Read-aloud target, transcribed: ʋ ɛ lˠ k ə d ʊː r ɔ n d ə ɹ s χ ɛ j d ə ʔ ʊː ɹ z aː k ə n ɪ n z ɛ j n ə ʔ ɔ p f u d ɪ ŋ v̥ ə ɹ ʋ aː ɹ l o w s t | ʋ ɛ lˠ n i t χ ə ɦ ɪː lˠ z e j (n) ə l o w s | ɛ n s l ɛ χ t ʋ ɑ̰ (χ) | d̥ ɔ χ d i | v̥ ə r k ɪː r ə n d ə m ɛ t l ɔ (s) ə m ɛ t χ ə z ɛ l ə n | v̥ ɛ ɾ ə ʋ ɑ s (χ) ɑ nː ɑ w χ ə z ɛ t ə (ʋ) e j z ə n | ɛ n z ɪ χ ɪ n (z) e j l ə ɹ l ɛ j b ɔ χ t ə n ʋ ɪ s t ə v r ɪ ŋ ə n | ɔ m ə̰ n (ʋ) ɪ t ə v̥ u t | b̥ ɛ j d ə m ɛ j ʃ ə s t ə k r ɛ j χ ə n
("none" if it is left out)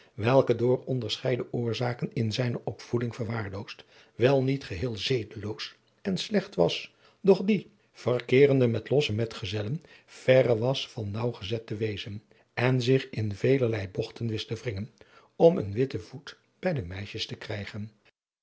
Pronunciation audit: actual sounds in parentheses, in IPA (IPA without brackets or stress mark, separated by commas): d, s, s, f, ʋ, v, ʋ